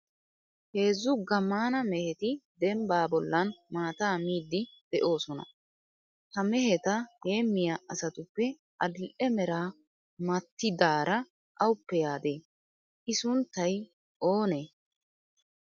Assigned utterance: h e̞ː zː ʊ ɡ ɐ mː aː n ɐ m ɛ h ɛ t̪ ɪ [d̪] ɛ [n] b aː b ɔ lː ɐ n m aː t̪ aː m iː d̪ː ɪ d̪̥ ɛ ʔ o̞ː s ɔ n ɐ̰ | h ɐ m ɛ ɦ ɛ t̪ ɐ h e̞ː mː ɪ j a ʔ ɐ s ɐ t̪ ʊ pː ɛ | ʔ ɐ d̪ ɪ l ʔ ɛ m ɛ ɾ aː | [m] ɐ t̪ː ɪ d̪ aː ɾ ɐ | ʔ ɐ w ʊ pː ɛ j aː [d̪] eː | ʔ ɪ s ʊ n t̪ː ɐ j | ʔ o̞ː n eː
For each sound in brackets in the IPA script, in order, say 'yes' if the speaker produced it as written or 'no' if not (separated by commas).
yes, no, yes, yes